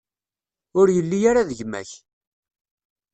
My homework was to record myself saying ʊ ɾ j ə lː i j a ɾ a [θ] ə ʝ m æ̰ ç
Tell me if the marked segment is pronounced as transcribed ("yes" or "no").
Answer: no